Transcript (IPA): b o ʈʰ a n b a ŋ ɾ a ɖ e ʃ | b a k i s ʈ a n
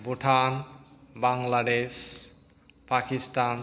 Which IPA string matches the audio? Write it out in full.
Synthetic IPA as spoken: b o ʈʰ a n b a ŋ l a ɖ e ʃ | p a k i s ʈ a n